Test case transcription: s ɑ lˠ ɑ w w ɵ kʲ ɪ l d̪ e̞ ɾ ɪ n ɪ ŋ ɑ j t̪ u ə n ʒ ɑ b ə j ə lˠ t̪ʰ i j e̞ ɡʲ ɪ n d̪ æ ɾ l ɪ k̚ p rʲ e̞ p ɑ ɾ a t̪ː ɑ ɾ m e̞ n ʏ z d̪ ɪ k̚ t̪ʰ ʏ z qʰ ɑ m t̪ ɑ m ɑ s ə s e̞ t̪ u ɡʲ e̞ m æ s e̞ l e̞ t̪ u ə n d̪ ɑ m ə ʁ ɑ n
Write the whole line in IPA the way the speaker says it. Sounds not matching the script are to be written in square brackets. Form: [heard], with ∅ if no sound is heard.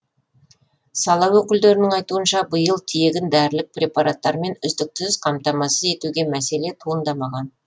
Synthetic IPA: s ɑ lˠ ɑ w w ɵ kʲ ɪ l d̪ e̞ ɾ ɪ n ɪ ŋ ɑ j t̪ u ə n [ʃ] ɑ b ə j ə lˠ t̪ʰ i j e̞ ɡʲ ɪ n d̪ æ ɾ l ɪ k̚ p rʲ e̞ p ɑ ɾ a t̪ː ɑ ɾ m e̞ n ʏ z d̪ ɪ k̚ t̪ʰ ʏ z qʰ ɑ m t̪ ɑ m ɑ s ə [z] e̞ t̪ u ɡʲ e̞ m æ s e̞ l e̞ [t̪ʰ] u ə n d̪ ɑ m [ɑ] ʁ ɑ n

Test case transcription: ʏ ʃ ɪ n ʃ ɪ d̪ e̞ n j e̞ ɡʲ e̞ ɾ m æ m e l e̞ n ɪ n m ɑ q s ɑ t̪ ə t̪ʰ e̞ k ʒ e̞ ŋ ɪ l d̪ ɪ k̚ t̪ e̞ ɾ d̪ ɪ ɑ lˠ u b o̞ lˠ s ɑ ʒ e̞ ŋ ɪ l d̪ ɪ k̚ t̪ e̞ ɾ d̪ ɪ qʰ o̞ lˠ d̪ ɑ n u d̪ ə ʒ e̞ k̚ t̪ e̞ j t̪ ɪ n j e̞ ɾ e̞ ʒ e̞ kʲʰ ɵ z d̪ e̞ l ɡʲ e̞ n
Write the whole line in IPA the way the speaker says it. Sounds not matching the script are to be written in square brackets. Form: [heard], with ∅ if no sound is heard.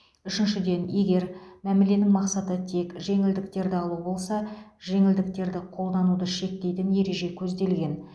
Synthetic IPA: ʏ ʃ ɪ n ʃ ɪ d̪ e̞ n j e̞ ɡʲ e̞ ɾ m æ m e l e̞ n ɪ [ŋ] m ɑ q s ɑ t̪ ə t̪ʰ e̞ k ʒ e̞ ŋ ɪ l d̪ ɪ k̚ t̪ e̞ ɾ d̪ ɪ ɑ lˠ u b o̞ lˠ s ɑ ʒ e̞ ŋ ɪ l d̪ ɪ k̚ t̪ e̞ ɾ d̪ ɪ qʰ o̞ lˠ d̪ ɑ n u d̪ ə [ʃ] e̞ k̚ t̪ e̞ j t̪ ɪ n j e̞ ɾ e̞ ʒ e̞ kʲʰ ɵ z d̪ e̞ l ɡʲ e̞ n

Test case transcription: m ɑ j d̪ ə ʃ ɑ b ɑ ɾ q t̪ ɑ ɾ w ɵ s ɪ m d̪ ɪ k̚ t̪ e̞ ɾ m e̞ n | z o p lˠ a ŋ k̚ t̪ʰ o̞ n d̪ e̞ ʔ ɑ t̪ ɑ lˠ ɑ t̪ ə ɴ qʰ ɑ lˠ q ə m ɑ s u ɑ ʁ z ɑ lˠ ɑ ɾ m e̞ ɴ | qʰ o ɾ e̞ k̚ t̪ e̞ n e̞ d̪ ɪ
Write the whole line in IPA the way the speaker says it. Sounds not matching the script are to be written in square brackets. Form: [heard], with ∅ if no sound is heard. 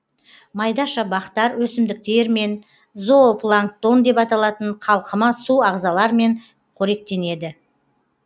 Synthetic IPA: m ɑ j d̪ [ɑ] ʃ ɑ b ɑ [∅] q t̪ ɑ ɾ w ɵ s ɪ m d̪ ɪ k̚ t̪ e̞ ɾ m e̞ n | z o p lˠ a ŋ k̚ [t̪] o̞ n d̪ e̞ [p] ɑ t̪ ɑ lˠ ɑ t̪ ə ɴ qʰ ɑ lˠ q ə m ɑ s u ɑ ʁ z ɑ lˠ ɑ ɾ m e̞ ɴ | qʰ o ɾ e̞ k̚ t̪ e̞ n e̞ d̪ ɪ

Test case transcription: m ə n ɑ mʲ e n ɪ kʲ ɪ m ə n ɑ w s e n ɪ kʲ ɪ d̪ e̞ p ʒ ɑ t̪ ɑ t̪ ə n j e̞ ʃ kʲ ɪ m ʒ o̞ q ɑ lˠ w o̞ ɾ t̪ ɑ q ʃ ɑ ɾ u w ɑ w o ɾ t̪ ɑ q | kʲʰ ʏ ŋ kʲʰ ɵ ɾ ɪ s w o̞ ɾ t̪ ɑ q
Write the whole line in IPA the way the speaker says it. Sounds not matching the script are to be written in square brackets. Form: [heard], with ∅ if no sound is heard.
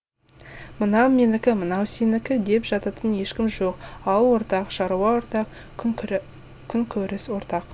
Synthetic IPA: m ə n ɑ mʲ e n ɪ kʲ ɪ m ə n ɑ w s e n ɪ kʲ ɪ d̪ e̞ p ʒ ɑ t̪ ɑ t̪ ə n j e̞ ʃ kʲ ɪ m ʒ o̞ q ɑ lˠ w o̞ ɾ t̪ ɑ q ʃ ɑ ɾ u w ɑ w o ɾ t̪ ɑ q | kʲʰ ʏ ŋ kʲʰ ɵ ɾ ɪ s w o̞ ɾ t̪ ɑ q

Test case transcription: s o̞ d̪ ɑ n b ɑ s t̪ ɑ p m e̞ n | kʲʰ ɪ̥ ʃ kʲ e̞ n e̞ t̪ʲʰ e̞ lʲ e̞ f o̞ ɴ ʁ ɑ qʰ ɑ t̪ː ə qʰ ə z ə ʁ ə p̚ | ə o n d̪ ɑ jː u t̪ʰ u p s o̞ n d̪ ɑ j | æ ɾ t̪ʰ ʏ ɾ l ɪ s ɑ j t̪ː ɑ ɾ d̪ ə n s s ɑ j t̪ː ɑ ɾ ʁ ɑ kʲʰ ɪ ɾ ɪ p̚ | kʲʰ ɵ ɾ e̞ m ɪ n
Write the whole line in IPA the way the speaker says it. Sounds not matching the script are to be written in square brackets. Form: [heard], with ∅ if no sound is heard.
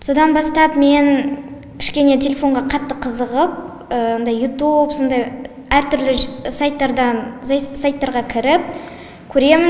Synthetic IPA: s o̞ d̪ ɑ n b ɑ s t̪ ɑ p m e̞ n | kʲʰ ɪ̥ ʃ kʲ e̞ n e̞ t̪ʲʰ e̞ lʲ e̞ f o̞ ɴ ʁ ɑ qʰ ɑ t̪ː ə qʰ ə z ə ʁ ə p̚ | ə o n d̪ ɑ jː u [t̪] u p s o̞ n d̪ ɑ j | æ ɾ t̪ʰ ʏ ɾ l ɪ s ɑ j t̪ː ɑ ɾ d̪ [ɑ] n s s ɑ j t̪ː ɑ ɾ ʁ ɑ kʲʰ ɪ ɾ ɪ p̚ | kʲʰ ɵ ɾ e̞ m ɪ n

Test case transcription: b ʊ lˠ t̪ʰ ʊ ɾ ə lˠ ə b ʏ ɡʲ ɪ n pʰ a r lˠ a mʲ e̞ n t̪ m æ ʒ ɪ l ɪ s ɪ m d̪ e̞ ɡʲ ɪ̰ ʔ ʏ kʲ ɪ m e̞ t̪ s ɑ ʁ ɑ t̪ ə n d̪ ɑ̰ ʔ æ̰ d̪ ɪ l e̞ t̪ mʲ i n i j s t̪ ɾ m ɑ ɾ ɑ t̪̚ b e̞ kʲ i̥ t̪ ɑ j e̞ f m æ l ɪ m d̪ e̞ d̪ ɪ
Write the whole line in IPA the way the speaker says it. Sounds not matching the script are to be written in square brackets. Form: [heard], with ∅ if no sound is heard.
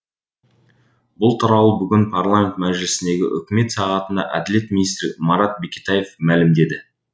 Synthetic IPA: b ʊ lˠ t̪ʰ ʊ ɾ [ɑ] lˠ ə b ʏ ɡʲ ɪ n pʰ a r lˠ a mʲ e̞ n t̪ m æ ʒ ɪ l ɪ s ɪ [n] d̪ e̞ ɡʲ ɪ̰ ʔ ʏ kʲ ɪ m e̞ t̪ s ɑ ʁ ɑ t̪ ə n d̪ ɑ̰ ʔ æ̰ d̪ ɪ l e̞ t̪ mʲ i n i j s t̪ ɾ m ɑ ɾ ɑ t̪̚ b e̞ kʲ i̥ t̪ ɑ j e̞ f m æ l ɪ m d̪ e̞ d̪ ɪ

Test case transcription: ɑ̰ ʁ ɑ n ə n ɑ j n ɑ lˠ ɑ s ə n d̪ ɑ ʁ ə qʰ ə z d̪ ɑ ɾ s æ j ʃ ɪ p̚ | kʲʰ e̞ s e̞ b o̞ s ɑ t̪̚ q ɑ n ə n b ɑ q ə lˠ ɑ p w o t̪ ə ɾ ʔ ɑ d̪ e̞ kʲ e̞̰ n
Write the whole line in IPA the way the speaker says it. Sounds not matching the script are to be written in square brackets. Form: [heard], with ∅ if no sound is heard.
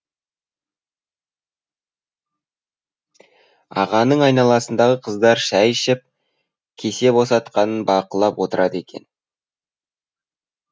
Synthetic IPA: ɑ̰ ʁ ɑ n ə [ɴ] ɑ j n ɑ lˠ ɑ s ə n d̪ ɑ ʁ ə qʰ ə z d̪ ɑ ɾ [ʃ] æ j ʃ ɪ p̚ | kʲʰ e̞ s e̞ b o̞ s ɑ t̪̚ q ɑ n ə n b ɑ q ə lˠ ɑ p w o t̪ ə ɾ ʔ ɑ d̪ e̞ kʲ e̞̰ n

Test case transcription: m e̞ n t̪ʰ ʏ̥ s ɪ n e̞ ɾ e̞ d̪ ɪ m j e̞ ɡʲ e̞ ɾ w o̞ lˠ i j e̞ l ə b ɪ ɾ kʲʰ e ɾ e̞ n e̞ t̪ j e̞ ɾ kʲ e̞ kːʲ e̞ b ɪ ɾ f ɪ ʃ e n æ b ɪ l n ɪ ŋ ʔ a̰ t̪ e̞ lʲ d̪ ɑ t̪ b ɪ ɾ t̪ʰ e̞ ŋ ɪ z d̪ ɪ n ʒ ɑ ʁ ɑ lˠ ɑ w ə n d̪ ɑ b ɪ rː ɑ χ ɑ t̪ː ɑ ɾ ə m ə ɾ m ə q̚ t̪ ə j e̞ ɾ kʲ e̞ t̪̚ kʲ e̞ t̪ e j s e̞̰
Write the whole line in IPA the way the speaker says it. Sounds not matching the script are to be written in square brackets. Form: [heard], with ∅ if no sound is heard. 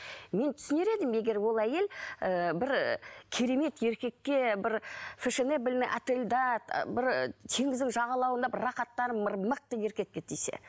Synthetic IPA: m e̞ n t̪ʰ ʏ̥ s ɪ n e̞ ɾ e̞ d̪ ɪ m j e̞ ɡʲ e̞ ɾ w o̞ lˠ [æ] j e̞ l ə b ɪ ɾ kʲʰ e ɾ e̞ [m] e̞ t̪ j e̞ ɾ kʲ e̞ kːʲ e̞ b ɪ ɾ f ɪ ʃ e n [e] b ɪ l n ɪ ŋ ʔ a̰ t̪ e̞ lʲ d̪ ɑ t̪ b ɪ ɾ t̪ʰ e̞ ŋ ɪ z d̪ ɪ [ŋ] ʒ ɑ ʁ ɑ lˠ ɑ w ə n d̪ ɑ b ɪ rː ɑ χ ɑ t̪ː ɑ ɾ ə m ə ɾ m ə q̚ t̪ ə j e̞ ɾ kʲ e̞ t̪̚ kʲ e̞ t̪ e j s e̞̰

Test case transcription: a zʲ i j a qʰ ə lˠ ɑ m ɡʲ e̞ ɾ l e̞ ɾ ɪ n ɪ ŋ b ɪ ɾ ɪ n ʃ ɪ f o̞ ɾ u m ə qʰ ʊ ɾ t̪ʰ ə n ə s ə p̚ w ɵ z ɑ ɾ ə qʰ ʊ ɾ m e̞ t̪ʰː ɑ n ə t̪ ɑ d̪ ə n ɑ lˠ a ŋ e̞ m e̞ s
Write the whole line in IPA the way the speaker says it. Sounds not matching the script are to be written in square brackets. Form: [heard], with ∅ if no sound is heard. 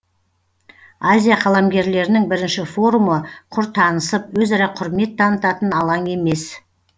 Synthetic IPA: a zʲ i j a qʰ [ɑ] lˠ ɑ m ɡʲ e̞ ɾ l e̞ ɾ ɪ n ɪ ŋ b ɪ ɾ ɪ n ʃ ɪ f o̞ ɾ u m ə qʰ ʊ ɾ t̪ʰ [ɑ] n ə s ə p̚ w ɵ z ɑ ɾ [ɑ] qʰ ʊ ɾ m e̞ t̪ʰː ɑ n ə t̪ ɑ [t̪] ə n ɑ lˠ [ɑ] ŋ e̞ m e̞ s

